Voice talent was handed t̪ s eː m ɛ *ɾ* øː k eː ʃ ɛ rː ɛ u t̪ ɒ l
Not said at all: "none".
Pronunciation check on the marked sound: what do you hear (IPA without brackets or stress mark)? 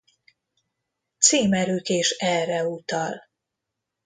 ɾ